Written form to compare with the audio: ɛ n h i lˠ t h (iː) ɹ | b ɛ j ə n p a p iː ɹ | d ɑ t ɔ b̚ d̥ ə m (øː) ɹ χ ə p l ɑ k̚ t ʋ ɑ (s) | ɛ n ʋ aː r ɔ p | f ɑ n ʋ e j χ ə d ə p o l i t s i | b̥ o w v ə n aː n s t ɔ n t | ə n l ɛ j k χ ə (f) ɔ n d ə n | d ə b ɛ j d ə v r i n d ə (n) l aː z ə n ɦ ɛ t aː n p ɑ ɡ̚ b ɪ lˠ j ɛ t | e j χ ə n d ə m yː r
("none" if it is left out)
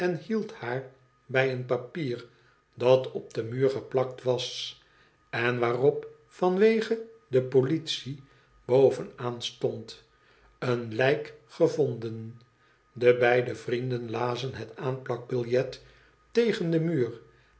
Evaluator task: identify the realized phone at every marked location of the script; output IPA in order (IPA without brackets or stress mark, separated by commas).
aː, yː, s, v, n